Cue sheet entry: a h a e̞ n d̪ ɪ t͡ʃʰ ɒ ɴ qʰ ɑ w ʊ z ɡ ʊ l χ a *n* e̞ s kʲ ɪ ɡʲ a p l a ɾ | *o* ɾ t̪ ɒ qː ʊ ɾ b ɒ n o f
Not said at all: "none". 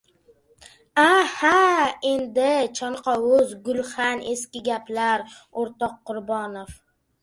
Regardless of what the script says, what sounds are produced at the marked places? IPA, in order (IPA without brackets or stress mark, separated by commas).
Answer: n, o